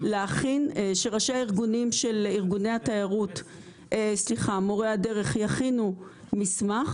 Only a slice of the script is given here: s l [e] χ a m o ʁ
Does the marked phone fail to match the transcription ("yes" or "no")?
yes